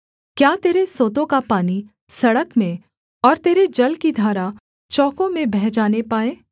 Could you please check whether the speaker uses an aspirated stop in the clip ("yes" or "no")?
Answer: no